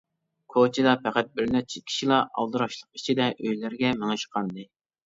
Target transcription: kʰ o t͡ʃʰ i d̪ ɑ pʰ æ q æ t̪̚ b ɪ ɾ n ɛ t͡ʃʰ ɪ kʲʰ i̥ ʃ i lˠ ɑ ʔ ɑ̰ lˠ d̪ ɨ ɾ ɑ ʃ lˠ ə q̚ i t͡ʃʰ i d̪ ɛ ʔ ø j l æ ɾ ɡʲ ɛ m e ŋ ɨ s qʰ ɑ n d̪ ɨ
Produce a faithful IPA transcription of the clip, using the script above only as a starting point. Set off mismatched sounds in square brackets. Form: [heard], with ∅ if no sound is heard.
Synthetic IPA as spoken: kʰ o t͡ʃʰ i d̪ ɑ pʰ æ q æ t̪̚ b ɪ ɾ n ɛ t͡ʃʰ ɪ kʲʰ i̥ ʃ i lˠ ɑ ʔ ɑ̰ lˠ d̪ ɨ ɾ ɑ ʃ lˠ ə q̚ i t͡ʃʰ i d̪ ɛ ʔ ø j l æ ɾ ɡʲ ɛ m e ŋ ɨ [ʃ] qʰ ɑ n d̪ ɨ